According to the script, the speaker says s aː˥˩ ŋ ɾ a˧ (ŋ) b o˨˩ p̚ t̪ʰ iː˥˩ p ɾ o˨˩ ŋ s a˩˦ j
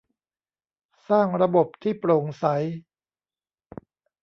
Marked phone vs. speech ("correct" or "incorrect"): incorrect